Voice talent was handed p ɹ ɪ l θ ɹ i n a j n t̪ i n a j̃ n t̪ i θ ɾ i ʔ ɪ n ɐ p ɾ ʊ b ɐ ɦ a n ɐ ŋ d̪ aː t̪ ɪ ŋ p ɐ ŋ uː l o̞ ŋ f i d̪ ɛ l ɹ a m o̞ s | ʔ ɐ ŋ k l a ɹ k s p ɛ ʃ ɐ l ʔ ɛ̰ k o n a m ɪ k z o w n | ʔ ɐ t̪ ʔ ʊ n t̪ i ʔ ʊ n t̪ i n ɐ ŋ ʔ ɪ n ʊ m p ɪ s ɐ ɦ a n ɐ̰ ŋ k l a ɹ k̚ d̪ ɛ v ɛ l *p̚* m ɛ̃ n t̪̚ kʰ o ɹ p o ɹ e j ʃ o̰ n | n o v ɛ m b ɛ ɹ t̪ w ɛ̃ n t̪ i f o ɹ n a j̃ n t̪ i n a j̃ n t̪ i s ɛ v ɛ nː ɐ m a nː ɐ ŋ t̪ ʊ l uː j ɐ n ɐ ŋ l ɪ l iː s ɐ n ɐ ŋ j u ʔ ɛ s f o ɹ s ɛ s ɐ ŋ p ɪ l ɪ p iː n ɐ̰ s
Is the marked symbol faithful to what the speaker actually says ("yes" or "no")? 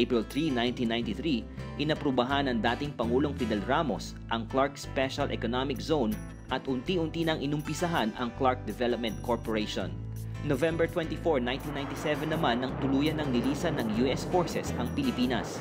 yes